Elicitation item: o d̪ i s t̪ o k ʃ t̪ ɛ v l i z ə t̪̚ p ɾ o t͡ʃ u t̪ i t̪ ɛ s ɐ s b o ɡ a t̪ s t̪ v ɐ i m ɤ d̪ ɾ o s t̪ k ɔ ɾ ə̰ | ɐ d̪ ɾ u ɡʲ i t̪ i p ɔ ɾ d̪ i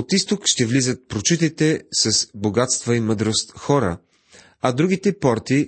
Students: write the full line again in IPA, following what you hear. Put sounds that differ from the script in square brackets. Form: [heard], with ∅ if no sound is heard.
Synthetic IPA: o [t̪] i s t̪ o k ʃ t̪ ɛ v l i z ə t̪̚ p ɾ o t͡ʃ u t̪ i t̪ ɛ s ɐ s b o ɡ a t̪ s t̪ v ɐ i m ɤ d̪ ɾ o s t̪ [x] ɔ ɾ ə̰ | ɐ d̪ ɾ u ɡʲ i t̪ [ɛ] p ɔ ɾ [t̪] i